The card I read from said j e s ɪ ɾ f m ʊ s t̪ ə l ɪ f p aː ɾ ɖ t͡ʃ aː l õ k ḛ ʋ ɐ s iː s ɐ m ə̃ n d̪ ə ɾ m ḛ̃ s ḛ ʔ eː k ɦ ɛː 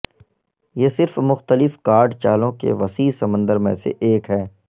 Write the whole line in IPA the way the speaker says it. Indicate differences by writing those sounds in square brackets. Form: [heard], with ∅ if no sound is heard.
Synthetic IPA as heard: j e s ɪ ɾ f m ʊ [x] t̪ ə l ɪ f [k] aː ɾ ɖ t͡ʃ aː l õ k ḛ ʋ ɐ s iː s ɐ m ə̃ n d̪ ə ɾ m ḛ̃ s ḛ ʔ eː k ɦ ɛː